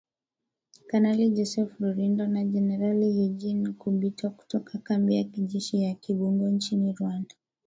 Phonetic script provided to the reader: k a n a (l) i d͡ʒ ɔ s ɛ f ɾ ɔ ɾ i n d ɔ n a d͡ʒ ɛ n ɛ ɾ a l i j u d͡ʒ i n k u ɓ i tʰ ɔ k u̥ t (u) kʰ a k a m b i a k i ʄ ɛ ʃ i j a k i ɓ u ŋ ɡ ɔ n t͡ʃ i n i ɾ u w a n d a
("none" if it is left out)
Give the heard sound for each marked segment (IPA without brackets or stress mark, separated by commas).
l, ɔ